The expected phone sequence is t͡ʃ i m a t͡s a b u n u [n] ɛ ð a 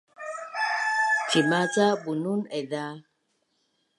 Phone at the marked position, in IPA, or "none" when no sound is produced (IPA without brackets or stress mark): n